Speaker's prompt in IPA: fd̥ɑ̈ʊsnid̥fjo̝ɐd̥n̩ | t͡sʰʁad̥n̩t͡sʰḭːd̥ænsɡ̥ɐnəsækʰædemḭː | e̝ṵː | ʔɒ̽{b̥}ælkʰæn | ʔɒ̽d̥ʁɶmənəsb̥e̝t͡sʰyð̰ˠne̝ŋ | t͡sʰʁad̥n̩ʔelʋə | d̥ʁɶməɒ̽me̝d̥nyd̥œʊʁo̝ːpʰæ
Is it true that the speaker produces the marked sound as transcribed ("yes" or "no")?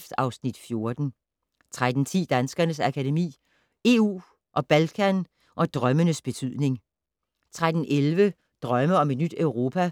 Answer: yes